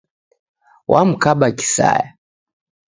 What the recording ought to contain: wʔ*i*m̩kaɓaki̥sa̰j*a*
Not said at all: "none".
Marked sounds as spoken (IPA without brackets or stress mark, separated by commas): a, a